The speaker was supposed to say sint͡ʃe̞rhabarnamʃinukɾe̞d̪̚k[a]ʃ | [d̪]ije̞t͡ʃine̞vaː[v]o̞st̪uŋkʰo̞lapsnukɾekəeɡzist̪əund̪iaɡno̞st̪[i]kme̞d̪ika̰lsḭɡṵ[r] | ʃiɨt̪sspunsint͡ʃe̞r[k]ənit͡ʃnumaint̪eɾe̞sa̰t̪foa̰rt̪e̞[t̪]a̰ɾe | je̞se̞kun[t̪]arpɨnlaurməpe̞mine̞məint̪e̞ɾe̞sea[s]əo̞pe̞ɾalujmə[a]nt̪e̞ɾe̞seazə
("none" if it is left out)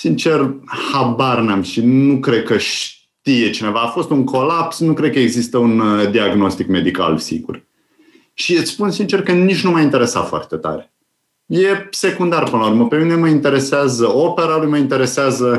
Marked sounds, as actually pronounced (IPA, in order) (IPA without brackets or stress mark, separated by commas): ə, t̪, f, i, r, k, t̪, d̪, z, i